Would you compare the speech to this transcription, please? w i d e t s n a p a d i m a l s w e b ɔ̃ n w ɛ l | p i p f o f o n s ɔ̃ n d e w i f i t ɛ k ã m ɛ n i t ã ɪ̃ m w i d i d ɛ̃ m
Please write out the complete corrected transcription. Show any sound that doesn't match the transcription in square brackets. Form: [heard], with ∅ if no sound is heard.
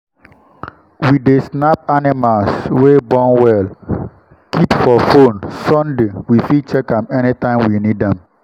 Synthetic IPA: w i d e [∅] s n a p a [n] i m a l s w e b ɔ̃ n w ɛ l | [k] i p f [ɔ] f o n s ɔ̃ n d e w i f i [t͡ʃ] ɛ k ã m ɛ n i t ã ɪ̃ m w i [n] i d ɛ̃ m

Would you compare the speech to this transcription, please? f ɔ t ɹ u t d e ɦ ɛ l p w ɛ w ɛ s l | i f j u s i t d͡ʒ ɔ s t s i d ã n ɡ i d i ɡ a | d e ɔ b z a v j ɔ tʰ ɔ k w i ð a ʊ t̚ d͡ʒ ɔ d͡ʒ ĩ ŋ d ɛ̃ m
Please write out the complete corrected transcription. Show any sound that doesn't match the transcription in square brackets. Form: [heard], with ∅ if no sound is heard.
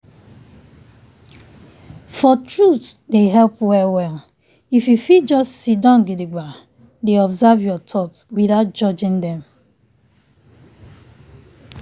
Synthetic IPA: f ɔ t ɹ u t d e ɦ ɛ l p w ɛ w ɛ [∅] l | i f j u [f] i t d͡ʒ ɔ s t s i d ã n ɡ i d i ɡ a | d e ɔ b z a v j ɔ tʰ ɔ [t] w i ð a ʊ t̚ d͡ʒ ɔ d͡ʒ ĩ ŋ d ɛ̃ m

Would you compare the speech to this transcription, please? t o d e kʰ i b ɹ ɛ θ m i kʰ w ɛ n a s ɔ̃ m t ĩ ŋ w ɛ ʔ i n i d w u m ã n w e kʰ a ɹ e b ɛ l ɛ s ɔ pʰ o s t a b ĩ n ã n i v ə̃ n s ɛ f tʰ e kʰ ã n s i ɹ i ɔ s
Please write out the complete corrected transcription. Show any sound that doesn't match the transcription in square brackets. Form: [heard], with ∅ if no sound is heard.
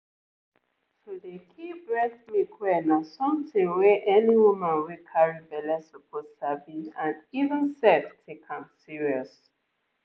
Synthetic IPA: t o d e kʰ i b ɹ ɛ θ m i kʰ w ɛ n a s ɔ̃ m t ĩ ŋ w ɛ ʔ [ɛ] n i [∅] w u m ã n w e kʰ a ɹ [i] b ɛ l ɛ s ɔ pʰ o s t a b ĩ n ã n i v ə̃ n s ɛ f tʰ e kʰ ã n s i ɹ i ɔ s

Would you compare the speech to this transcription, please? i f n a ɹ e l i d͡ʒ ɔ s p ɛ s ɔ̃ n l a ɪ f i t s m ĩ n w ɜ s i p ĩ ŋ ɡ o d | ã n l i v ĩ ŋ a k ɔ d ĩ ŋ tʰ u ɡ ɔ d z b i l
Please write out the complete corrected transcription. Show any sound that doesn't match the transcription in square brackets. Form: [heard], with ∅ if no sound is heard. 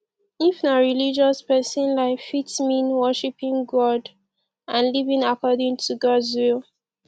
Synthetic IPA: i f n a ɹ [i] l i d͡ʒ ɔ s p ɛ s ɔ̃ n l a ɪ f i t s m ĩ n w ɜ [ʃ] i p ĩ ŋ ɡ [ɔ] d | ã n l i v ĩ ŋ a k ɔ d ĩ ŋ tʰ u ɡ ɔ d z [w] i l

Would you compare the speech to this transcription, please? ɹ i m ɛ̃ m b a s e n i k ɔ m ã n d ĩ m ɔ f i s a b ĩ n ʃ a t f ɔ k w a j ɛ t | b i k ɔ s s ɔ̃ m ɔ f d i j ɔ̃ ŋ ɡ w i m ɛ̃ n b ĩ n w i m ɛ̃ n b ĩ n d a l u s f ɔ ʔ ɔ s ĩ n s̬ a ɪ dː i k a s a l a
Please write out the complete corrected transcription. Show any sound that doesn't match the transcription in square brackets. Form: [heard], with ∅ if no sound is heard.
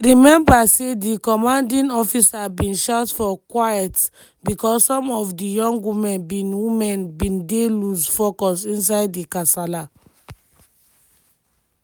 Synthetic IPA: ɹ i m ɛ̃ m b a s e [d] i k ɔ m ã n d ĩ [n] ɔ f i s a b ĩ n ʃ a t f ɔ k w a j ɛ t | b i k ɔ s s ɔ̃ m ɔ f d i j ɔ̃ ŋ ɡ w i m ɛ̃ n b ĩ n w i m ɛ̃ n b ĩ n d [e] l u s f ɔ [k] ɔ s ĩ n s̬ a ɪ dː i k a s a l a

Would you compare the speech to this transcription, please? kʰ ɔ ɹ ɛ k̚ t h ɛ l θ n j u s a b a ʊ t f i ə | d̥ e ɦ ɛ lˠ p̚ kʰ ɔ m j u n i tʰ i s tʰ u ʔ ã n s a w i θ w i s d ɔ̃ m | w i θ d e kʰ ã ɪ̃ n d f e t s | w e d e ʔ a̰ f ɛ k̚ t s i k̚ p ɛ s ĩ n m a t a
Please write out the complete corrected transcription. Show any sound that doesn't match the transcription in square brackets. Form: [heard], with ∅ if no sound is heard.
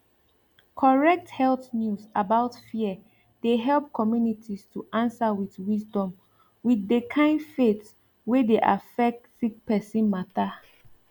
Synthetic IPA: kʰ ɔ ɹ ɛ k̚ t h ɛ l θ n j u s a b a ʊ t f i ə | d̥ e ɦ ɛ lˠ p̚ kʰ ɔ m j u n i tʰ i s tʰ u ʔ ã n s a w i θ w i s d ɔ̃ m | w i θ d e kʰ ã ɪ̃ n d f e t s | w e d e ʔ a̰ f ɛ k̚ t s i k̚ p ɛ s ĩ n m a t a

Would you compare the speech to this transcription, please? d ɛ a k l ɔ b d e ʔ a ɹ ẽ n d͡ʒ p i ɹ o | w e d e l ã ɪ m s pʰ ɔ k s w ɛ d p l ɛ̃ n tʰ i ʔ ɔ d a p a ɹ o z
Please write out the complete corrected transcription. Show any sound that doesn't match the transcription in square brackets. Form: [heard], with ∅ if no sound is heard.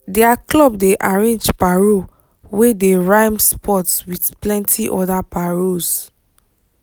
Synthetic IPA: d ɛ a k l ɔ b d e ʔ a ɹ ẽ n d͡ʒ p [a] ɹ o | w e d e [ɹ] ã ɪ m s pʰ ɔ [t] s w [i] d p l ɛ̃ n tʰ i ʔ ɔ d a p a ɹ o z

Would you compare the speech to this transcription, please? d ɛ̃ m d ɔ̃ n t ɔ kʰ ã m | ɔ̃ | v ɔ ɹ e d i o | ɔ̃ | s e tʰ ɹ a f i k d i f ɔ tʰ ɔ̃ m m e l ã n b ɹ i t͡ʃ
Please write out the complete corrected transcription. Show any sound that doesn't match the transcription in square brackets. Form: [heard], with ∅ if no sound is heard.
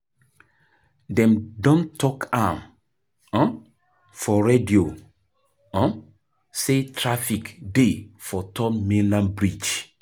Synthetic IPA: d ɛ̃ m d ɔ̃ n t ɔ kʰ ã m | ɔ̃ | [f] ɔ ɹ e d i o | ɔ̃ | s e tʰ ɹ a f i k d [e] f ɔ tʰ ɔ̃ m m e l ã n b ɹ i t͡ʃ

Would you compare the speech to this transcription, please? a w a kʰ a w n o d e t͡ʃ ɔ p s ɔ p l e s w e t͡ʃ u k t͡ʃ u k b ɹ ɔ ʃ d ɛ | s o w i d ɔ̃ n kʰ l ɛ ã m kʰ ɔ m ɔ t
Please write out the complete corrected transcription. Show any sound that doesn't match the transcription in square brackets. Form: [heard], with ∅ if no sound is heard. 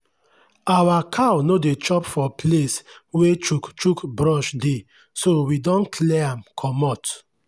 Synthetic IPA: a w a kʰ a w n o d e t͡ʃ ɔ p [f] ɔ p l e s w e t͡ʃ u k t͡ʃ u k b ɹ ɔ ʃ d [e] | s o w i d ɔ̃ n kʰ l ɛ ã m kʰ ɔ m ɔ t

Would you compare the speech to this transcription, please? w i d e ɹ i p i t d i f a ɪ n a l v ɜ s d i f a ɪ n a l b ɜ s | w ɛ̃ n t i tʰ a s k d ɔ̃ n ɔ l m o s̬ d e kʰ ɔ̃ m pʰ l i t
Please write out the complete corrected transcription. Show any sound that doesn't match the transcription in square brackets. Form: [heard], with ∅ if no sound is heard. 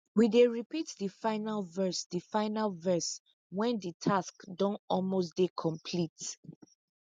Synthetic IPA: w i d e ɹ i p i t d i f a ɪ n a l v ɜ s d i f a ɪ n a l [v] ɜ s | w ɛ̃ n [d] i tʰ a s k d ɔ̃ n ɔ l m o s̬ d e kʰ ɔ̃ m pʰ l i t

